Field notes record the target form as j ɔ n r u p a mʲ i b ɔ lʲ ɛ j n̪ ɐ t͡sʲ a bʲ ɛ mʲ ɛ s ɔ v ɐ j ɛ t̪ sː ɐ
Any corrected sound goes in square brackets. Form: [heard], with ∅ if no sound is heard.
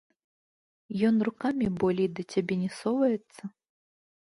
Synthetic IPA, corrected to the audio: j ɔ n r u [k] a mʲ i b ɔ lʲ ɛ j [d̪] ɐ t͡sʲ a bʲ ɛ [nʲ] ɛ s ɔ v ɐ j ɛ t̪ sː ɐ